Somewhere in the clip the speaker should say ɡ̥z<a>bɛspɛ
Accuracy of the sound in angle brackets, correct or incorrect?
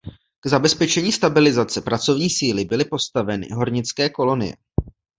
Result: correct